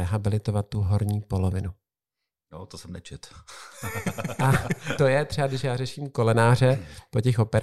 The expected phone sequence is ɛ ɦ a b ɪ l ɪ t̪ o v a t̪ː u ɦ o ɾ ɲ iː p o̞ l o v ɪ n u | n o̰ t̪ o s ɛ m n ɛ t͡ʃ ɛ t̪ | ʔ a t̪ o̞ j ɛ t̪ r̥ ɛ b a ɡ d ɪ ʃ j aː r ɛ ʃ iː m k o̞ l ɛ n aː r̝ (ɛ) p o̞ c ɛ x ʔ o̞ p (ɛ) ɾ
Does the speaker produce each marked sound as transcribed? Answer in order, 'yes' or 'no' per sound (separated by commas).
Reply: yes, yes